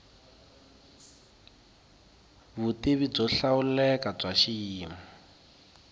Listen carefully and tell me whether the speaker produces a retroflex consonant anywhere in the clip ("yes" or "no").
yes